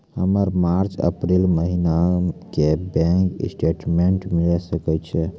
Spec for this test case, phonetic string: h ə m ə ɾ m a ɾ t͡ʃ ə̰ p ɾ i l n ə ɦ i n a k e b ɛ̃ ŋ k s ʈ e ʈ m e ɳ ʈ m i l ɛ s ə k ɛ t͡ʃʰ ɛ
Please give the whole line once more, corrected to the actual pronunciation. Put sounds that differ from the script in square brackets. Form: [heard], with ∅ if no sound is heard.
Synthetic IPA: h ə m ə ɾ m a ɾ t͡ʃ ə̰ p ɾ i l [m] ə ɦ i n a k e b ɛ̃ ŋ k s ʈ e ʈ m e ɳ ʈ m i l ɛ s ə k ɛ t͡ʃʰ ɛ